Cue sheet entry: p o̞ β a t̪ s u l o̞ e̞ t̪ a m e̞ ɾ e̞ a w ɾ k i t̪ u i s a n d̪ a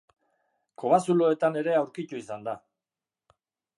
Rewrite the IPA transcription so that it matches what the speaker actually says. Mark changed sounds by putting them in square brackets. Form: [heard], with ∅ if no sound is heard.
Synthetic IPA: [k] o̞ β a [∅] s u l o̞ e̞ t̪ a [n] e̞ ɾ e̞ a w ɾ k i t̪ u i s a n d̪ a